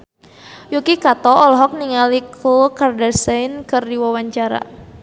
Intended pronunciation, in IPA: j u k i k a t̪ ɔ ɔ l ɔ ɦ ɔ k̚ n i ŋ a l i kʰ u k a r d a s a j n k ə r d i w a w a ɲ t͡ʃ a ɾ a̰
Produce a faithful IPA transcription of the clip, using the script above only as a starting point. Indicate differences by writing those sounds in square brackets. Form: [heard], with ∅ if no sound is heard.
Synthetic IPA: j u k i k a t̪ ɔ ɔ l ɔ ɦ ɔ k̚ n i ŋ a l i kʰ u k a r d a s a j n k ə r d i w a w a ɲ t͡ʃ a ɾ a̰